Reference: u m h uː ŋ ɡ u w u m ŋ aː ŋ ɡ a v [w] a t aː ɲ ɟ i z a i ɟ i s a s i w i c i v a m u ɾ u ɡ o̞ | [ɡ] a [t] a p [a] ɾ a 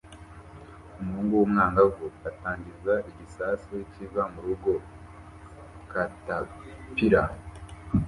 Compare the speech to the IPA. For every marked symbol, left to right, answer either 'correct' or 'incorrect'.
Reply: incorrect, incorrect, correct, incorrect

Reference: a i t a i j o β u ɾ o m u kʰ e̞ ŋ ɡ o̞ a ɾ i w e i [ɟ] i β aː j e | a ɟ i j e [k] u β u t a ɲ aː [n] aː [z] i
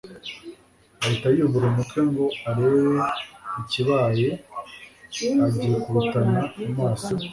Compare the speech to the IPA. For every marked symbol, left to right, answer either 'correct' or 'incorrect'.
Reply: incorrect, correct, incorrect, incorrect

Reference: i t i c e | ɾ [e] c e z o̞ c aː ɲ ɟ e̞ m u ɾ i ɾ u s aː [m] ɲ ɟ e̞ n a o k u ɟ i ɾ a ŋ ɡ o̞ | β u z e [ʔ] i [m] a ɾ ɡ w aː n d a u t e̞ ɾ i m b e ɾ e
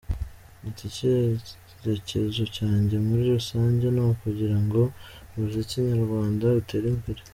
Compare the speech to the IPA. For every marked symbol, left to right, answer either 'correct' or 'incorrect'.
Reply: correct, incorrect, incorrect, incorrect

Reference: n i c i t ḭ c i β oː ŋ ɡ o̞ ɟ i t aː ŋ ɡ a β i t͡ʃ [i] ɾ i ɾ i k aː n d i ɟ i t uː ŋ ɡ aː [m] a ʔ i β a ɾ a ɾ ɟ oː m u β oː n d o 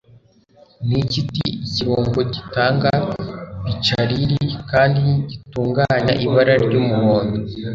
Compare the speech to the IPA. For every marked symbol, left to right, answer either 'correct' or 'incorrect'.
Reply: incorrect, incorrect

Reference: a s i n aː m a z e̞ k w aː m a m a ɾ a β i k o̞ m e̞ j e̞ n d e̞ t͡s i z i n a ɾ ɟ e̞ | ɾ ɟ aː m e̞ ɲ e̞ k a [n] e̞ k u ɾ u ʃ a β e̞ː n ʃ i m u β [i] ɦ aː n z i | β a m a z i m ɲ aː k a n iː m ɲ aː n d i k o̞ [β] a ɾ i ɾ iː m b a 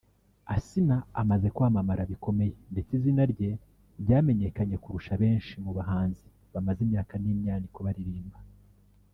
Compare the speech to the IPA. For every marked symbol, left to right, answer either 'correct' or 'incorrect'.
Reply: incorrect, incorrect, correct

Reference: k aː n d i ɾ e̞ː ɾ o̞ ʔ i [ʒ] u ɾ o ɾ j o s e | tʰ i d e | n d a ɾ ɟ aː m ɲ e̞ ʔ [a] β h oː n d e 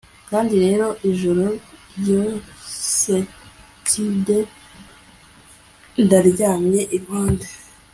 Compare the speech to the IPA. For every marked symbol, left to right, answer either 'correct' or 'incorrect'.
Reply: correct, incorrect

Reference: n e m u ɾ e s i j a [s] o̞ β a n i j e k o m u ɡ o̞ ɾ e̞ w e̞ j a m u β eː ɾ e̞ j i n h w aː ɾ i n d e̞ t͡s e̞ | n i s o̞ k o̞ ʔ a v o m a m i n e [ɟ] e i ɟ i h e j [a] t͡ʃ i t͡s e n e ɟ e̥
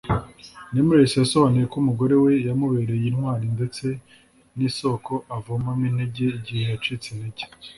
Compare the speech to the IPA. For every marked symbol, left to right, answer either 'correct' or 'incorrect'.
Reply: correct, correct, correct

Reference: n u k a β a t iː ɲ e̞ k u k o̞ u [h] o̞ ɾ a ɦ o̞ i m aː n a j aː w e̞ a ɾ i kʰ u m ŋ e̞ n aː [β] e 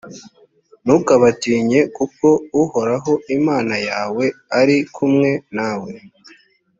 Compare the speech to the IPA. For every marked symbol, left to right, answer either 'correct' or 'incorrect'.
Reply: correct, incorrect

